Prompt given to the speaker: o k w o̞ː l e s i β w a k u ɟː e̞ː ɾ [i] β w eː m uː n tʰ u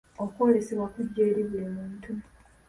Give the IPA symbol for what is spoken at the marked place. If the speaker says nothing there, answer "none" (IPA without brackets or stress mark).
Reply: i